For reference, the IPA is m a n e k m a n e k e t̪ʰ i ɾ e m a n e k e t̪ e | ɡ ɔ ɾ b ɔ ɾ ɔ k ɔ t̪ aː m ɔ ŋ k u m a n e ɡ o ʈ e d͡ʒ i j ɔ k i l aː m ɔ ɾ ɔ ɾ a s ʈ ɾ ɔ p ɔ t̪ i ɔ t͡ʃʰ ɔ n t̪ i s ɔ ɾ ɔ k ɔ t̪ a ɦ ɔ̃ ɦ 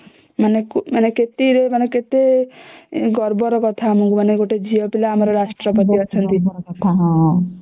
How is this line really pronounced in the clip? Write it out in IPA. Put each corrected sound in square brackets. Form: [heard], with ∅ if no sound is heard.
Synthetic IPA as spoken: m a n e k m a n e k e [t̪] i ɾ e m a n e k e t̪ e | ɡ ɔ ɾ b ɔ ɾ ɔ k ɔ [t̪ʰ] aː m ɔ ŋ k u m a n e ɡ o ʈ e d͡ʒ i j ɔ [p] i l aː m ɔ ɾ ɔ ɾ a s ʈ ɾ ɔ p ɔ t̪ i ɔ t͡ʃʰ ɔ n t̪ i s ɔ ɾ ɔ k ɔ [t̪ʰ] a ɦ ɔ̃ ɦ